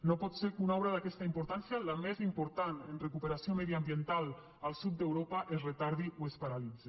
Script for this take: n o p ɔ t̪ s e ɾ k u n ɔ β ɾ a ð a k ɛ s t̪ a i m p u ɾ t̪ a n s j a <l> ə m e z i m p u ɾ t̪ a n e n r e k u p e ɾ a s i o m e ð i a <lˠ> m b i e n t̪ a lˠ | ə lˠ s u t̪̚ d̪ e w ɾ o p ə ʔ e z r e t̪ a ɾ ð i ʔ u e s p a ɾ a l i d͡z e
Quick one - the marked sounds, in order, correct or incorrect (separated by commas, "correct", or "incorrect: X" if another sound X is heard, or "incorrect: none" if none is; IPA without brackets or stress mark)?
correct, incorrect: none